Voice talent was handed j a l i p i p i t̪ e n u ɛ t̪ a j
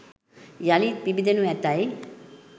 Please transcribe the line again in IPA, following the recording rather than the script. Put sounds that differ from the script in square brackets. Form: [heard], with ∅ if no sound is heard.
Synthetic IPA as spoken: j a l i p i [b] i [d̪] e n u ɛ t̪ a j